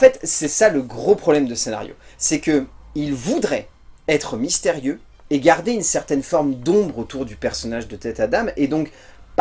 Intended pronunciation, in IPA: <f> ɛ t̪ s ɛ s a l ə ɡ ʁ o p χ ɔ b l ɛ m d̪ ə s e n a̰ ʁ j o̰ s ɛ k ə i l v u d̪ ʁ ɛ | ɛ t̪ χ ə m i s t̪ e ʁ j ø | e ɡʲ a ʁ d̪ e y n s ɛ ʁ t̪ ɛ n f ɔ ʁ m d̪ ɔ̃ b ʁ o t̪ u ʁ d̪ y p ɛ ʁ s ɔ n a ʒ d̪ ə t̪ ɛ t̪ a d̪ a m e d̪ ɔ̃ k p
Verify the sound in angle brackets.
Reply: correct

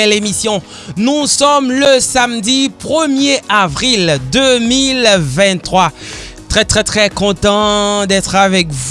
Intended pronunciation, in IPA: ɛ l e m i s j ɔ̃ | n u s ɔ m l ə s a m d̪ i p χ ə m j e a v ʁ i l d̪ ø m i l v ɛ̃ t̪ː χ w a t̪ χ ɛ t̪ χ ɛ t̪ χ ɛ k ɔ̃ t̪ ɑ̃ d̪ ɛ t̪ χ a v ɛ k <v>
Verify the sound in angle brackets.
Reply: correct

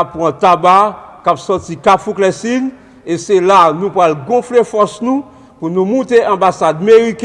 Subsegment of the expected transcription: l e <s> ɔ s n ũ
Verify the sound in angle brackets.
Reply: incorrect: f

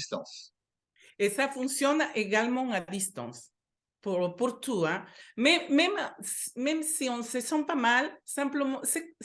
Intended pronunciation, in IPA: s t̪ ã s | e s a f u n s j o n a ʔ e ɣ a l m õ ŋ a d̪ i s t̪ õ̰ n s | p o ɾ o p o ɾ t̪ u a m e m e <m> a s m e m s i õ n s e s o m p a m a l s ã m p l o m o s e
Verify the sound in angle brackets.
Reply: correct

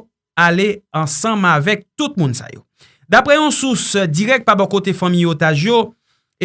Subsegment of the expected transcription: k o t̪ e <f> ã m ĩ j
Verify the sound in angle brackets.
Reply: correct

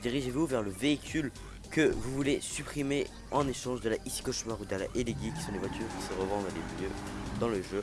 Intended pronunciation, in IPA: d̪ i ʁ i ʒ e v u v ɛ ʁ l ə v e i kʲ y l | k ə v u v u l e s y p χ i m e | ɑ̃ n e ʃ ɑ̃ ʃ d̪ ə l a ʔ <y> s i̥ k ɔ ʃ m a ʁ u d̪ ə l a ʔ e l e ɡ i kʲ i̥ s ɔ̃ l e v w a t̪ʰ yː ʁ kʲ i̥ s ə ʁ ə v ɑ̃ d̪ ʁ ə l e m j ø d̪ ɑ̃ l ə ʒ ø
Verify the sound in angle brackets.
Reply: incorrect: i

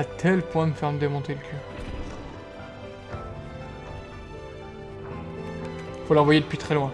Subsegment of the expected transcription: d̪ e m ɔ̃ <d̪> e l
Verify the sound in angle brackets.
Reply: incorrect: t̪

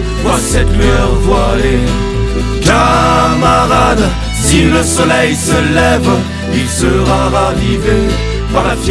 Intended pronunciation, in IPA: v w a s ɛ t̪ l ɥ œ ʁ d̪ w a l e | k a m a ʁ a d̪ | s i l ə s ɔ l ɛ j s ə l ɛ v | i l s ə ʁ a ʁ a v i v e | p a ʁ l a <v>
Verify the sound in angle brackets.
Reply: incorrect: f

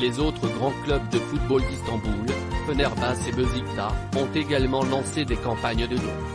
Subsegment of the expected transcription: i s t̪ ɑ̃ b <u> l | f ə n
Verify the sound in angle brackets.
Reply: correct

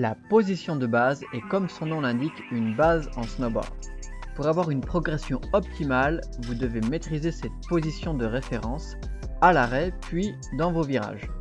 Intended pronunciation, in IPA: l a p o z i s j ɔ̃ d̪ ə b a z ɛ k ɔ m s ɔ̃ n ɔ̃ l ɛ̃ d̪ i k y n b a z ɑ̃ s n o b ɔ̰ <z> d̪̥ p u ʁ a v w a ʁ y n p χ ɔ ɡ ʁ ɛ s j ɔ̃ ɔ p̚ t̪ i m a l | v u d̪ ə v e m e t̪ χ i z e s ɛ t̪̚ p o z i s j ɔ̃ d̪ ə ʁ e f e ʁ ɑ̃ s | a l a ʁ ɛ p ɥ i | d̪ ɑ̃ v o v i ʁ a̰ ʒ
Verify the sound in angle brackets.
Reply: incorrect: ʁ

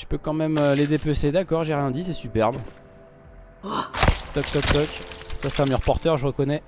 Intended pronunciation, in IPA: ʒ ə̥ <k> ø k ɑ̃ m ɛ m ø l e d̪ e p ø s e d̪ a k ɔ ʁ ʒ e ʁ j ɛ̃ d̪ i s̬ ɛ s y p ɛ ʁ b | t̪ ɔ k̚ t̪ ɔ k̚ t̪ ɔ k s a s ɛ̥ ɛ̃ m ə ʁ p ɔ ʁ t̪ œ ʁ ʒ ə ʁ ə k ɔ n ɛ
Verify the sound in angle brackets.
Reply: incorrect: p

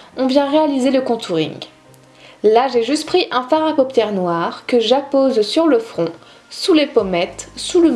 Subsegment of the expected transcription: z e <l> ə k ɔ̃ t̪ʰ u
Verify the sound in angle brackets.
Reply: correct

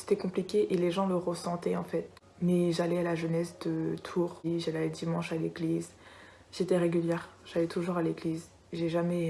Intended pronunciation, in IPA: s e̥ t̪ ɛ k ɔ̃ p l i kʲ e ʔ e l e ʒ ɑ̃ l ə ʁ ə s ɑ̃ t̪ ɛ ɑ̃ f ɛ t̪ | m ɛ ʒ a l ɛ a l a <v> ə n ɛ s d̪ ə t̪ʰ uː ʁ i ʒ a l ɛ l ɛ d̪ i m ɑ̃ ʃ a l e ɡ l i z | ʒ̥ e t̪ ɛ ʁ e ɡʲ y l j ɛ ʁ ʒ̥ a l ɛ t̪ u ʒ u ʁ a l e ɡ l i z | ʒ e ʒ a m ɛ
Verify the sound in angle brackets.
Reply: incorrect: ʒ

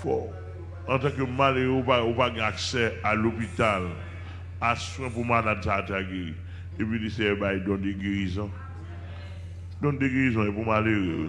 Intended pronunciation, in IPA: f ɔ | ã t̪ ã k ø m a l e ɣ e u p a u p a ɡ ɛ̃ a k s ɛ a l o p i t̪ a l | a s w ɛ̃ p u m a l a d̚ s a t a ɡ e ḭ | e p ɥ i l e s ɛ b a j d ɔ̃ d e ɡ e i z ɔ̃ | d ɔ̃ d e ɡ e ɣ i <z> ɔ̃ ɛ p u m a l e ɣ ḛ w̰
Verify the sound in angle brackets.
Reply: correct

